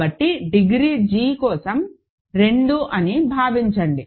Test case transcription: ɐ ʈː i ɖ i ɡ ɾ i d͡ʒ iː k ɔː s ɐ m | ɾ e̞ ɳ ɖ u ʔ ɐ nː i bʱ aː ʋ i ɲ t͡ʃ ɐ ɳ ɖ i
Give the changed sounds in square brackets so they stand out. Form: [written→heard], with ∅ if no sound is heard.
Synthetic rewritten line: ɐ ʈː i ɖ i ɡ ɾ i d͡ʒ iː k ɔː s ɐ m | ɾ e̞ ɳ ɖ u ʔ ɐ [nː→n] i bʱ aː ʋ i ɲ t͡ʃ ɐ ɳ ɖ i